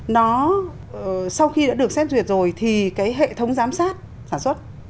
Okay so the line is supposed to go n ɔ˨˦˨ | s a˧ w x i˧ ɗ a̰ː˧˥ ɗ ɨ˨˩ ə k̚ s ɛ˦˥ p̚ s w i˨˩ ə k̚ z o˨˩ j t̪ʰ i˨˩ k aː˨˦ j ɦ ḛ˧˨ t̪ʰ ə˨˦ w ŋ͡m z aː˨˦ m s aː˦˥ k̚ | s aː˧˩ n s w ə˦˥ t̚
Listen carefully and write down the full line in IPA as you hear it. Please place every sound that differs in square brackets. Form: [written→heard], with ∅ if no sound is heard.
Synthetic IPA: n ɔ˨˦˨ | s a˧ w x i˧ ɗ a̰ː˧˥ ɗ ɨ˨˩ ə k̚ s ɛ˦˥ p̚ [s→z] w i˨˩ ə [k̚→t̚] z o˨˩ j t̪ʰ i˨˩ k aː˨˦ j ɦ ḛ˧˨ t̪ʰ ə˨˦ w ŋ͡m z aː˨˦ m s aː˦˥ [k̚→t̚] | s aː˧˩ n s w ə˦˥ t̚